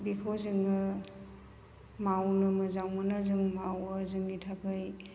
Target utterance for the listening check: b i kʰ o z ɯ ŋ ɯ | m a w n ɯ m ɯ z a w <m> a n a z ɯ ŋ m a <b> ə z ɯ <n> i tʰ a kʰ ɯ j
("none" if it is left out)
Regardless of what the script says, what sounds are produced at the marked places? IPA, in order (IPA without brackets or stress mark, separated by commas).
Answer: m, w, ŋ